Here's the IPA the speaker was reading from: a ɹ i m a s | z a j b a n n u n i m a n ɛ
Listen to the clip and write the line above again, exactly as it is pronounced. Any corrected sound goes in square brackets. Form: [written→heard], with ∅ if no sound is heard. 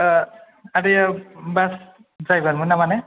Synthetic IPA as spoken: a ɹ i [m→b] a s | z a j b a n [n→m] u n [i→a] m a n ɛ